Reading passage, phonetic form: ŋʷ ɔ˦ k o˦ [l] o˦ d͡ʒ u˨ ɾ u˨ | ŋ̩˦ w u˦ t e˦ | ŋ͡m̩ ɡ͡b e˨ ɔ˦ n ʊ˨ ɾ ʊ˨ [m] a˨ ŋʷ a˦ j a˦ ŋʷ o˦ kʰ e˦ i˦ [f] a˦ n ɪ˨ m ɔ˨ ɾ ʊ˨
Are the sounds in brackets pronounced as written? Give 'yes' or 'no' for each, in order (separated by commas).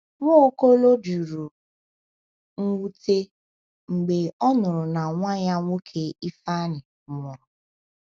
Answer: yes, no, yes